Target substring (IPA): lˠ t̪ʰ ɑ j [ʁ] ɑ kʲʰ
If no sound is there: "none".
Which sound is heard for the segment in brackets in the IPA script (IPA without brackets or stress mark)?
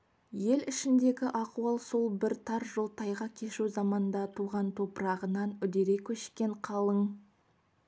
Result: ʁ